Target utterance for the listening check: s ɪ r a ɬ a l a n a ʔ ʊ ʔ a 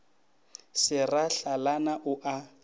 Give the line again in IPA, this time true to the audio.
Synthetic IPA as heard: s ɪ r a ɬ a l a n a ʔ ʊ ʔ a